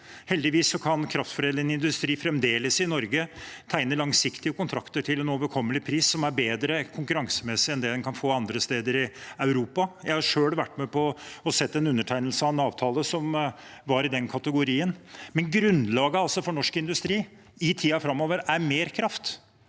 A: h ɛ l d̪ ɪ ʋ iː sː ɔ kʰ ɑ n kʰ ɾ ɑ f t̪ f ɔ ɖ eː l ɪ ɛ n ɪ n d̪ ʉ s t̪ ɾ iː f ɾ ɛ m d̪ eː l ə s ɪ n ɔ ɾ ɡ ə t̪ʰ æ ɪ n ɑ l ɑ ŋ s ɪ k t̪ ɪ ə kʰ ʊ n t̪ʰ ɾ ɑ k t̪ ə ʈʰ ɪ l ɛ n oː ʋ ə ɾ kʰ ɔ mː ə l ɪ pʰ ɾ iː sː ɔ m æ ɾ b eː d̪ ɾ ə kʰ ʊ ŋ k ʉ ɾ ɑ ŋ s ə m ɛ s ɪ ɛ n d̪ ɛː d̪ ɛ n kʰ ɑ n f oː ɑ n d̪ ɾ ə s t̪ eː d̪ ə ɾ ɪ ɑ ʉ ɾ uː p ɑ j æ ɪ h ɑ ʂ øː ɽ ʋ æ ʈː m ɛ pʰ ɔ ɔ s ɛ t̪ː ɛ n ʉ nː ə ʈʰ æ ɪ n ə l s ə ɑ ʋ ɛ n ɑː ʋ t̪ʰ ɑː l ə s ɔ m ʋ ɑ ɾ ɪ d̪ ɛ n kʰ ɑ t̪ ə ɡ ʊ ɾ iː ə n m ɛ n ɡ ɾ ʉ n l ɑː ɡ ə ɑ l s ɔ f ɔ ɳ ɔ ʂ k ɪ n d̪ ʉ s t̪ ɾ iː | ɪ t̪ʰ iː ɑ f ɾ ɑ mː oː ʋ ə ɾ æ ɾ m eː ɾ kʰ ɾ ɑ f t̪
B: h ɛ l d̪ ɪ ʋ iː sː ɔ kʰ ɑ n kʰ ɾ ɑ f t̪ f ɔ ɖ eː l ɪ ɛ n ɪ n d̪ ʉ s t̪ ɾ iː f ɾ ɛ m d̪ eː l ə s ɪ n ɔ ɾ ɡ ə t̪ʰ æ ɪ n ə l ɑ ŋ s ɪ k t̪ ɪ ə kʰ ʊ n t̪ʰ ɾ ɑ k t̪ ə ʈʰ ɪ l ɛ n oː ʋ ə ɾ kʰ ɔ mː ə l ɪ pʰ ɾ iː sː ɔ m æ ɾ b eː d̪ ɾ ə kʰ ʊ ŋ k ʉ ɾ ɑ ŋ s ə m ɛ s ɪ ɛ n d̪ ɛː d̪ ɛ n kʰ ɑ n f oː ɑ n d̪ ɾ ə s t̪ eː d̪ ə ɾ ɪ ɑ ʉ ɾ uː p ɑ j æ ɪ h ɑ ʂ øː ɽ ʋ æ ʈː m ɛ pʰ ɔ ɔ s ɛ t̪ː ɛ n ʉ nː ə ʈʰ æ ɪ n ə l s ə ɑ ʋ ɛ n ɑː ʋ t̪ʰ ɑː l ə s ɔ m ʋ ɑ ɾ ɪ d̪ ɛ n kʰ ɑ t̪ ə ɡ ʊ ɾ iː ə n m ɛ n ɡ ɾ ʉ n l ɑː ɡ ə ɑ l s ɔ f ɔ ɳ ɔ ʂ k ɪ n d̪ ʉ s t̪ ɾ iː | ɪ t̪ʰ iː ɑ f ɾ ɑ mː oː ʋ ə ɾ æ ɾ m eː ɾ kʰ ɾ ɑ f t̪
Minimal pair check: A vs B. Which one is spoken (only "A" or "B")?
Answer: B